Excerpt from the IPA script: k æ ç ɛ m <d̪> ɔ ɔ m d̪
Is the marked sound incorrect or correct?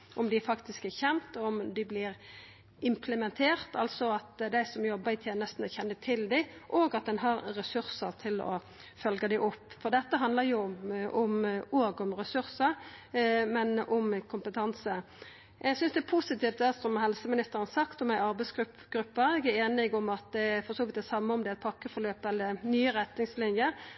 incorrect